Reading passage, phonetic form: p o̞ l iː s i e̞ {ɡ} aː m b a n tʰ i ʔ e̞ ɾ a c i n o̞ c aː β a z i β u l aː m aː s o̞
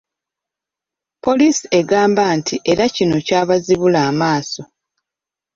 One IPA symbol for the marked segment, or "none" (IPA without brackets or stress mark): ɡ